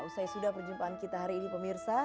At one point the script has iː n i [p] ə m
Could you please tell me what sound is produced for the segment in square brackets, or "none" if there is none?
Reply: p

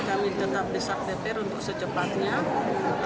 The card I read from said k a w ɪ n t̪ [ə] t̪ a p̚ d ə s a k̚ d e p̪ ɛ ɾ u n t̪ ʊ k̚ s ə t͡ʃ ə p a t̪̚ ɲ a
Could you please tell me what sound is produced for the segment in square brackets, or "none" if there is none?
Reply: ə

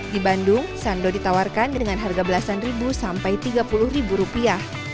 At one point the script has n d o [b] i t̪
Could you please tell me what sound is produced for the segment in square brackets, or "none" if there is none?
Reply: d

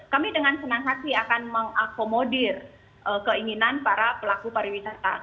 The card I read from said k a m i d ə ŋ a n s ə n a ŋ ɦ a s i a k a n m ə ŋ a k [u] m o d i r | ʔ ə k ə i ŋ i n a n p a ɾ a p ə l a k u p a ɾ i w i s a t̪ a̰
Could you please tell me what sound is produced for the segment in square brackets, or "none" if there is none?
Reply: o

